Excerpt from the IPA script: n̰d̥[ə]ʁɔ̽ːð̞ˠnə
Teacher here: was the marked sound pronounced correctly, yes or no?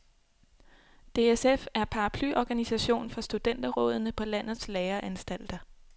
no